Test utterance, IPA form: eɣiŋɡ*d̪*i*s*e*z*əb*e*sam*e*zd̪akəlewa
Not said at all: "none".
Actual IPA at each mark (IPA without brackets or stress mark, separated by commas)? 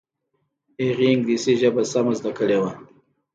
d̪, s, ʒ, a, a